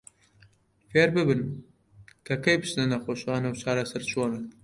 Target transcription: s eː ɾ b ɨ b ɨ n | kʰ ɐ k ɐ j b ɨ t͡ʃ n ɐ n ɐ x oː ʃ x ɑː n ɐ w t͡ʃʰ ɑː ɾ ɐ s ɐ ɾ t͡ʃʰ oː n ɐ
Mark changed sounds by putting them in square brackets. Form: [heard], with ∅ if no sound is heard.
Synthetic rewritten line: [f] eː ɾ b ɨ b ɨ n | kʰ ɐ k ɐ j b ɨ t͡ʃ n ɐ n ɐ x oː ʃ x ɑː n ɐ w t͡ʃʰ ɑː ɾ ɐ s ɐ ɾ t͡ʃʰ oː n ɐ